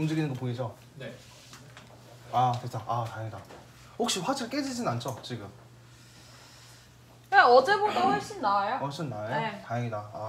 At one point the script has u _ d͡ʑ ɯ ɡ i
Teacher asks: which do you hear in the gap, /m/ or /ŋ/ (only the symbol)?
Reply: m